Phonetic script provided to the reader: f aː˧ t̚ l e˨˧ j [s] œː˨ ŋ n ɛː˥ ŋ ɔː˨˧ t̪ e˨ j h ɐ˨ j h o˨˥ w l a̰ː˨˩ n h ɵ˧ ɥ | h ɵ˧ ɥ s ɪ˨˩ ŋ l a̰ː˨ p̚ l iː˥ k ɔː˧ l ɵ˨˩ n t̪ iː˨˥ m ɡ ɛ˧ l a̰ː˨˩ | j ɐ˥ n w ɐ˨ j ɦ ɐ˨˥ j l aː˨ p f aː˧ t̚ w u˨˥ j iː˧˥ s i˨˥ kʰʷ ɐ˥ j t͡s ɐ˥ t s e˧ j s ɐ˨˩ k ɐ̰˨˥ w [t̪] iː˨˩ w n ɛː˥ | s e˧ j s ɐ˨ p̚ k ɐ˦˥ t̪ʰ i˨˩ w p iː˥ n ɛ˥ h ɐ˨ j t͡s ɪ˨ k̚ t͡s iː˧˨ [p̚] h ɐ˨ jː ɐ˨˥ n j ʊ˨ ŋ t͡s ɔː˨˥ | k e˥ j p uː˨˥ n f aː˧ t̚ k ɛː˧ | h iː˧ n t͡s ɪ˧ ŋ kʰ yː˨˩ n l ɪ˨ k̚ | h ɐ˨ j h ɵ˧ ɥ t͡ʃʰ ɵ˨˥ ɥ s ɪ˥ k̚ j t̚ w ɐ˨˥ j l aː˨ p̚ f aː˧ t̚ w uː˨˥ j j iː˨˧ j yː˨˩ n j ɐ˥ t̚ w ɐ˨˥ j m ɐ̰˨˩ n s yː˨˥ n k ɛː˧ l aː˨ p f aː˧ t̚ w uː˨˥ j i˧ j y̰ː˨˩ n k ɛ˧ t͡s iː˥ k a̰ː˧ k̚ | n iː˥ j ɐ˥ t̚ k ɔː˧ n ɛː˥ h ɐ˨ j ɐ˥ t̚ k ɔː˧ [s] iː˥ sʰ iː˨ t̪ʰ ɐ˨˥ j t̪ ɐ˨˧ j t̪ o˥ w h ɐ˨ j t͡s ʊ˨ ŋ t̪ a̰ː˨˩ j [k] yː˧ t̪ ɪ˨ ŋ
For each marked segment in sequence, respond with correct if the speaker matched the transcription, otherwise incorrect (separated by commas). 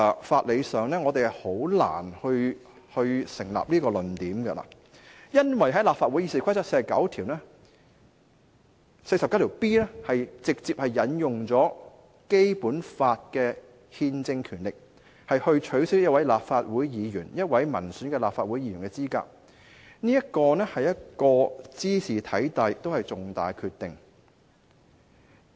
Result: correct, incorrect, correct, incorrect, incorrect